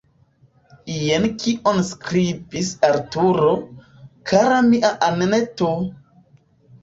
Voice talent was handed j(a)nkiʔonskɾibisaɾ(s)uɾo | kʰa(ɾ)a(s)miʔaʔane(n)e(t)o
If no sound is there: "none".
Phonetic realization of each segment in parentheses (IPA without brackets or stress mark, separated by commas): e, t, ɾ, none, n, t